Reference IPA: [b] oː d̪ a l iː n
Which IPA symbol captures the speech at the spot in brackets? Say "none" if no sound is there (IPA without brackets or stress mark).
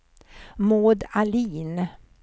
m